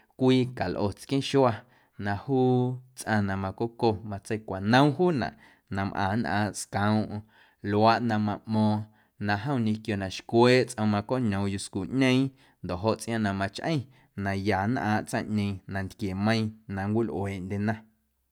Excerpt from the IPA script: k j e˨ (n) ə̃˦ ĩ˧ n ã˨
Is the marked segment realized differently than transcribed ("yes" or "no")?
yes